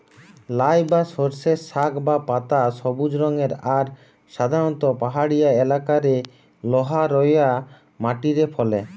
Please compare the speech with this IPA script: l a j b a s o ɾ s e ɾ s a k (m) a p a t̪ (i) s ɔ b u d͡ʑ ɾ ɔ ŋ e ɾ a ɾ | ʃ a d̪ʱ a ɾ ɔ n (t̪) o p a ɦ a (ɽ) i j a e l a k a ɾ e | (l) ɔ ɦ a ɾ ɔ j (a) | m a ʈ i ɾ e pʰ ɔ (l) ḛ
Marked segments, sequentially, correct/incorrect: incorrect, incorrect, correct, correct, correct, correct, correct

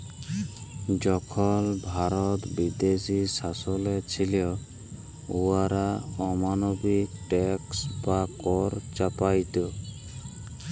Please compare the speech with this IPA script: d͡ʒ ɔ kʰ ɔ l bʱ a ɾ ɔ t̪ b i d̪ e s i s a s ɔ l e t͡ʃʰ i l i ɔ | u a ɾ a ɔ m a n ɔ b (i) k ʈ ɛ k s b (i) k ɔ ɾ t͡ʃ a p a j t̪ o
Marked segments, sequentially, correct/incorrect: correct, incorrect

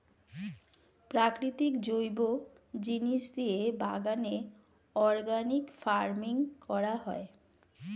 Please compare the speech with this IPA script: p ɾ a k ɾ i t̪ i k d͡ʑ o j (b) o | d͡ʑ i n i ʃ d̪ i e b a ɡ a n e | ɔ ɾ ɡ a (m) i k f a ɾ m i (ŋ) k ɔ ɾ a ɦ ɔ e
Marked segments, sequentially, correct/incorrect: correct, incorrect, correct

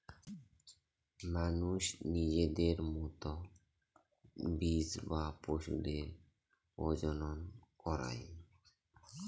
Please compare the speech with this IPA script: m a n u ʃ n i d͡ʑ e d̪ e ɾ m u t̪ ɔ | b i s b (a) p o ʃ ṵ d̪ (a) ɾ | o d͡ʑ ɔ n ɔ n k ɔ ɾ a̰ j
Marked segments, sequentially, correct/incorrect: correct, incorrect

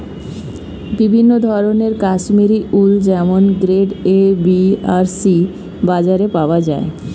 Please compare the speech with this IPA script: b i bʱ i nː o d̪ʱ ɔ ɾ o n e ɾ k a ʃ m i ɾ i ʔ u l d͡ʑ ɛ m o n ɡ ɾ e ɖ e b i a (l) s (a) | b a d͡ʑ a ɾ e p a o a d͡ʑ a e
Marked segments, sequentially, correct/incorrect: incorrect, incorrect

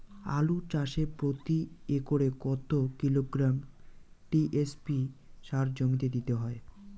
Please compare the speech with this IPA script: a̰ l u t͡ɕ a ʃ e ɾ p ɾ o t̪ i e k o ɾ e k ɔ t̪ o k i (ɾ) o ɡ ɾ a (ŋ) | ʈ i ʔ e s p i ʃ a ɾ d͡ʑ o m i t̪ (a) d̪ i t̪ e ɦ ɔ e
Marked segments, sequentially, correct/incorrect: incorrect, incorrect, incorrect

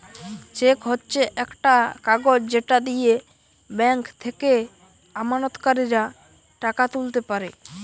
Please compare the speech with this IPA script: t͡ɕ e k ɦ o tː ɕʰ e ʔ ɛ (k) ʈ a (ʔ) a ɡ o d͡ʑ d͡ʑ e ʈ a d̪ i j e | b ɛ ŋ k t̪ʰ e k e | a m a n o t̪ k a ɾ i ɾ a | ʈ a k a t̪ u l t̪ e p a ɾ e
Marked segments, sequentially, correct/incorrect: correct, incorrect

